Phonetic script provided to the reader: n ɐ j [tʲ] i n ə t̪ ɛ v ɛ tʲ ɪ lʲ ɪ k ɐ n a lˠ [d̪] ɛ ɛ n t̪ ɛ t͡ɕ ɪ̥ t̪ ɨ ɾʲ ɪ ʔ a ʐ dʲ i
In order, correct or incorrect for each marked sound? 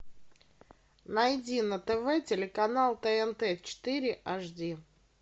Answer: incorrect: dʲ, incorrect: t̪

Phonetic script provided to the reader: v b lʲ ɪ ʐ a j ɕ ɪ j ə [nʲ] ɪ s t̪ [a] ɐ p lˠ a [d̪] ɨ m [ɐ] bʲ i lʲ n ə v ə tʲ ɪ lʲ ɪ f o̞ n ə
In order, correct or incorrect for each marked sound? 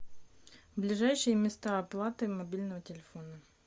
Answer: incorrect: mʲ, correct, incorrect: t̪, correct

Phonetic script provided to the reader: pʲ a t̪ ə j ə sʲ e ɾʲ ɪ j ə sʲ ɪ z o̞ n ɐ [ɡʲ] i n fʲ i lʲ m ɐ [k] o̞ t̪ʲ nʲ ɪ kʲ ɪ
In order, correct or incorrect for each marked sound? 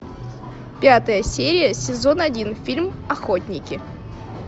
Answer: incorrect: dʲ, incorrect: x

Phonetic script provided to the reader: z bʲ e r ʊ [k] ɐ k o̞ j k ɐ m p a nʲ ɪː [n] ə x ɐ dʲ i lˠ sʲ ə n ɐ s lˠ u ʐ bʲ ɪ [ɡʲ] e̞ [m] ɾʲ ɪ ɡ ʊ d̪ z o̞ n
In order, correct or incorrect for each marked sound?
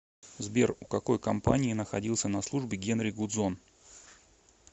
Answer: correct, correct, correct, incorrect: n

